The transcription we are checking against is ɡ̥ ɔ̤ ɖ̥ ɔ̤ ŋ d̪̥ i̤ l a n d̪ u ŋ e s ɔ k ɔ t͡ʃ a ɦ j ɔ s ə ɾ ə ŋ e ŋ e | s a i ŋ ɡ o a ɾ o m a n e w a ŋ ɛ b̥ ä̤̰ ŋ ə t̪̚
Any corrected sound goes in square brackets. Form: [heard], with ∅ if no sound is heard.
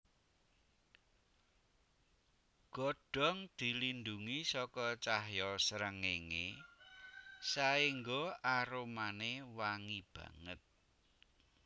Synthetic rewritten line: ɡ̥ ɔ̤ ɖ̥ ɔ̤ ŋ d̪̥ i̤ l [i] n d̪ u ŋ [i] s ɔ k ɔ t͡ʃ a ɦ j ɔ s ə ɾ ə ŋ e ŋ e | s a i ŋ ɡ o a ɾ o m a n e w a ŋ [i] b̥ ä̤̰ ŋ ə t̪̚